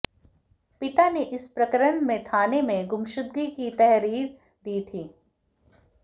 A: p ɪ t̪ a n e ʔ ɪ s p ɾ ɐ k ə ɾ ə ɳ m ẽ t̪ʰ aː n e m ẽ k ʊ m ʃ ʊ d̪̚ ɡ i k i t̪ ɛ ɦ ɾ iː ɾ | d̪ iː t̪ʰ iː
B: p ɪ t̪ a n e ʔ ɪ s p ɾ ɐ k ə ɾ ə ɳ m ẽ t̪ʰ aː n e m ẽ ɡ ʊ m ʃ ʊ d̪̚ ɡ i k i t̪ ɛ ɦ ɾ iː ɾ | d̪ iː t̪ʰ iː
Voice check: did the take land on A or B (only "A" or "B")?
B